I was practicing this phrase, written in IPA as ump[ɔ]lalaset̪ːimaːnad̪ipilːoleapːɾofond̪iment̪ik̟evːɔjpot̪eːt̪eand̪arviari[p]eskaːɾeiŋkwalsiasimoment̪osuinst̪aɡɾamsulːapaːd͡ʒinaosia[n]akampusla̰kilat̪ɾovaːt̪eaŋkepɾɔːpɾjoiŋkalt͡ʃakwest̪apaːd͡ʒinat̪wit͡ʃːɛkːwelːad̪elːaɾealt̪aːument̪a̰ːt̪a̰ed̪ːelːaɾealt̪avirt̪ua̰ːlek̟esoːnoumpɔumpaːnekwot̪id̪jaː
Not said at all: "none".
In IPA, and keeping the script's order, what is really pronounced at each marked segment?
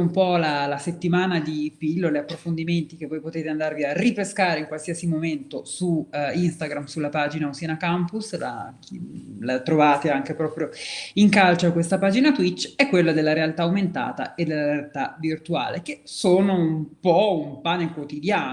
ɔ, p, n

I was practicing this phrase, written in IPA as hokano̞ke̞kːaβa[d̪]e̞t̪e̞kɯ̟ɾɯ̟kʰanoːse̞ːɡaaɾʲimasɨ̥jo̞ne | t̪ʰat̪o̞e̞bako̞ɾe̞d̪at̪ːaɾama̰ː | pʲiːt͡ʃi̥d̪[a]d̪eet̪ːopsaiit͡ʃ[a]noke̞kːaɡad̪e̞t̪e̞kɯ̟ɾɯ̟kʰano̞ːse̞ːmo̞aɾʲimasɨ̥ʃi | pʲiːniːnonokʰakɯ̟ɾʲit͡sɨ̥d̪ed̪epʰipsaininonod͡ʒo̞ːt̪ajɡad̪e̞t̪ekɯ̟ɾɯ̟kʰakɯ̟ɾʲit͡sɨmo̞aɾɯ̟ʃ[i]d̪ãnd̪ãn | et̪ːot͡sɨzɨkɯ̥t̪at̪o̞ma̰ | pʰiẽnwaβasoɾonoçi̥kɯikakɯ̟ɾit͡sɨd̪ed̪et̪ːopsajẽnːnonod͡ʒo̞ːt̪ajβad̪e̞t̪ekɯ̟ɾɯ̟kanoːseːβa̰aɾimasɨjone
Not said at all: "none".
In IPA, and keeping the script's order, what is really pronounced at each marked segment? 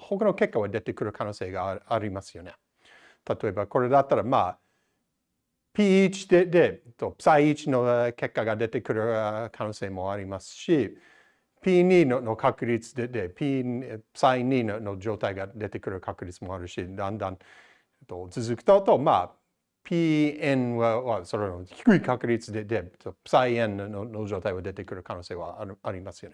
d̪, e, i, i

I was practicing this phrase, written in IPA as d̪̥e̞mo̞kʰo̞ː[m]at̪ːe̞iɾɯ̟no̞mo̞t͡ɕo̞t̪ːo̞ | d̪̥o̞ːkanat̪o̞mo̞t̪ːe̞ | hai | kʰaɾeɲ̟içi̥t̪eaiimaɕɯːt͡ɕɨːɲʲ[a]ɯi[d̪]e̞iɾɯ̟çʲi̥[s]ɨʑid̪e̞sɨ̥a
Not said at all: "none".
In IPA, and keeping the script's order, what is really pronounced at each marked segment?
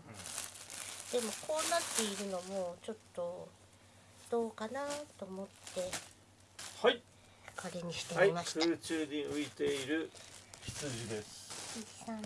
n, i, t̪, t͡s

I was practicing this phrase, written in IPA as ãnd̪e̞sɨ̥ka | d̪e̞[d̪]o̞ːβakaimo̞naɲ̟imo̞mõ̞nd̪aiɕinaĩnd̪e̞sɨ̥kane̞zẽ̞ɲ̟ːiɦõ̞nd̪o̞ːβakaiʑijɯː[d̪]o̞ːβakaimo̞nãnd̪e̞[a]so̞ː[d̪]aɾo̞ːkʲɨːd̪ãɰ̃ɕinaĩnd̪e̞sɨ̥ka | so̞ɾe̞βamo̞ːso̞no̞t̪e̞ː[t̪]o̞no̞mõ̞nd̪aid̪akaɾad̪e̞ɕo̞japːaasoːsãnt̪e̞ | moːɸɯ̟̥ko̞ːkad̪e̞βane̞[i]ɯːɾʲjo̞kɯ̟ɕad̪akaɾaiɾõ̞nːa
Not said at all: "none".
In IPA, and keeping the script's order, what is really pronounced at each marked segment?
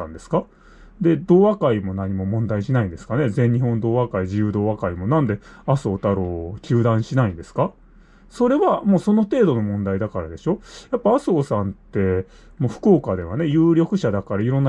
d̪, d̪, a, t̪, d̪, j

